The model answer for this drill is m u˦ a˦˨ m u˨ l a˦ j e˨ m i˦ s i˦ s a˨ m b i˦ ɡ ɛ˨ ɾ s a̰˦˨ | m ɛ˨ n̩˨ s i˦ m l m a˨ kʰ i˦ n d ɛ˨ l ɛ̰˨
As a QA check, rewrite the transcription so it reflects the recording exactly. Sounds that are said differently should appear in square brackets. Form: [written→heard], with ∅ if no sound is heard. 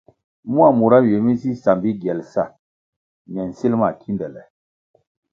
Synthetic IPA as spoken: m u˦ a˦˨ m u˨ [l→ɾ] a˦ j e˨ m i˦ s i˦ s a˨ m b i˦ ɡ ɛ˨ [ɾ→l] s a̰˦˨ | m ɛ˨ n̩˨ s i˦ [m→∅] l m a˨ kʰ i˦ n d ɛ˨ l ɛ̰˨